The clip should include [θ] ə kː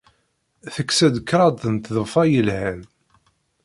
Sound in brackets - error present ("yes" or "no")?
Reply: no